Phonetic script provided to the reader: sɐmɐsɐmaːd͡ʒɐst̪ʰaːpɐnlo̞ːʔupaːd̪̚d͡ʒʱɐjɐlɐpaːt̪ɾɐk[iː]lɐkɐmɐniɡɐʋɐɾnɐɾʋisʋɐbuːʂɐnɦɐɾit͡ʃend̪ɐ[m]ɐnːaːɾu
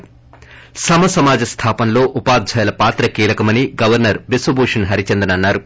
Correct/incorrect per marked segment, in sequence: correct, incorrect: n

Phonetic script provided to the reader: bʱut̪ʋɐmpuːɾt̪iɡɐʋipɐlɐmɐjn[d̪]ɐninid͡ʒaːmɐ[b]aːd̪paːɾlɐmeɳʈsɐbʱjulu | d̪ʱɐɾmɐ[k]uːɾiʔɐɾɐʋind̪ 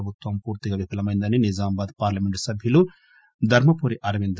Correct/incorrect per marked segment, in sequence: correct, correct, incorrect: p

